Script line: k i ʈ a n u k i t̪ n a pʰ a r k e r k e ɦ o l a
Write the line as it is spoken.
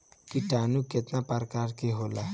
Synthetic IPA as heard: k i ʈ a n u k e t̪ n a p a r k a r k e ɦ o l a